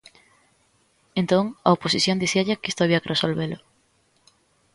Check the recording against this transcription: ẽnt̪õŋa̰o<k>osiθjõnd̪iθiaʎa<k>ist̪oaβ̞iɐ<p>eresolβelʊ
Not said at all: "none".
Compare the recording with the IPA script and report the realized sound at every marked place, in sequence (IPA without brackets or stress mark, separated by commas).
p, k, k